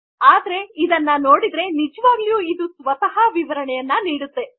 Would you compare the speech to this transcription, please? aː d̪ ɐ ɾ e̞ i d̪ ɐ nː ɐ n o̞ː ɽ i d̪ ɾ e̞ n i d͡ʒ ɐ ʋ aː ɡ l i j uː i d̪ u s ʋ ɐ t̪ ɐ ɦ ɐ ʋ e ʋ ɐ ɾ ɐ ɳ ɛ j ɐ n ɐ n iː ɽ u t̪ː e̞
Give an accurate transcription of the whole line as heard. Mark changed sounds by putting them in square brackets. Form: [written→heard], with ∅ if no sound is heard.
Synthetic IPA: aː d̪ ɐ ɾ e̞ i d̪ ɐ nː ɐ n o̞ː ɽ i d̪ ɾ e̞ n i d͡ʒ ɐ ʋ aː ɡ l i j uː i d̪ u s ʋ ɐ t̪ ɐ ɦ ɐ ʋ [e→i] ʋ ɐ ɾ ɐ ɳ ɛ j ɐ [n→nː] ɐ n iː ɽ u t̪ː e̞